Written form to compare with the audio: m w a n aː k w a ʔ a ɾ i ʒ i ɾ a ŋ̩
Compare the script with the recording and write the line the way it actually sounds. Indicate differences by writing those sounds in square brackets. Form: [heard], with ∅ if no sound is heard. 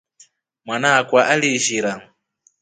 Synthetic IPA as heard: m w a n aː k w a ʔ a [l] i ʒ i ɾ a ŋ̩